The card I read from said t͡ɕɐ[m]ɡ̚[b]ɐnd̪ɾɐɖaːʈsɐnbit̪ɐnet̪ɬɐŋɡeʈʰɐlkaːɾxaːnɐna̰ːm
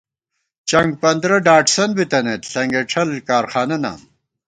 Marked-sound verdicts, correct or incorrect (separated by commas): incorrect, incorrect